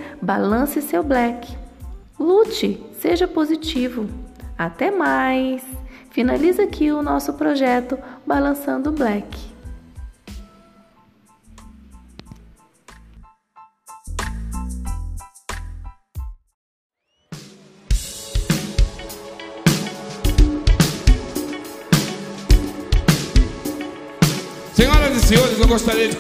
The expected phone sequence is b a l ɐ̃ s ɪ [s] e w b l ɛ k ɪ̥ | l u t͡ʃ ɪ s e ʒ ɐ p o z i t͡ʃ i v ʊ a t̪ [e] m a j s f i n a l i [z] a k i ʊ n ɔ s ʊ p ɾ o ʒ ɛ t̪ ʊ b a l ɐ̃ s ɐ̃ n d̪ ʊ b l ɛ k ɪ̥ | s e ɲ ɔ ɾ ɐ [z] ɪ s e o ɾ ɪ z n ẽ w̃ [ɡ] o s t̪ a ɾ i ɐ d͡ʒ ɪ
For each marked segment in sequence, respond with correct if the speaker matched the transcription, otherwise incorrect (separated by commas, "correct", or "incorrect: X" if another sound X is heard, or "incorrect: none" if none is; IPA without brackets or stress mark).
correct, incorrect: ɛ, correct, correct, correct